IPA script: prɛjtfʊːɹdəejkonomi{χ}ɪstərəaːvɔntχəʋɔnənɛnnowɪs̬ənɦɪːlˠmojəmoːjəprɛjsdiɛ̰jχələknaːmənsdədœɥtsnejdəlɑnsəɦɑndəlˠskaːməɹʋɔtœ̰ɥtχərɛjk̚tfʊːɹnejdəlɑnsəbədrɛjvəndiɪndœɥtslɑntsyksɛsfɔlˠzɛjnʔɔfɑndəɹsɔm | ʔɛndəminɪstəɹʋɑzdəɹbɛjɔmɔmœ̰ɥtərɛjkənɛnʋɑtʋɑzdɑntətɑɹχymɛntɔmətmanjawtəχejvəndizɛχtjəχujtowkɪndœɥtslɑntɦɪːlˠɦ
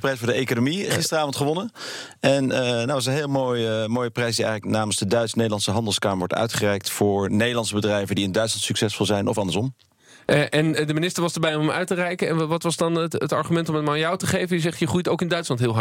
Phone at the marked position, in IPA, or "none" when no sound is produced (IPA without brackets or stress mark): χ